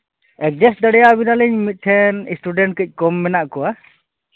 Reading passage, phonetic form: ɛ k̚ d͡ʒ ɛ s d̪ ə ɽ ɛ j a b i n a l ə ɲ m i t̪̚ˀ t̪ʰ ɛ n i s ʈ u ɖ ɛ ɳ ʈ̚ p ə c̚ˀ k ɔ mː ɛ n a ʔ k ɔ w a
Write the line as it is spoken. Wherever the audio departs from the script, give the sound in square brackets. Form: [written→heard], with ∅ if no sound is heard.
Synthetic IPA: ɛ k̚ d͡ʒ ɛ s d̪ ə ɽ ɛ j a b i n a l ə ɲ m i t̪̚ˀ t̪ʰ ɛ n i s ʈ u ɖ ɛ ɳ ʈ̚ [p→k] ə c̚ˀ k ɔ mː ɛ n a ʔ k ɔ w a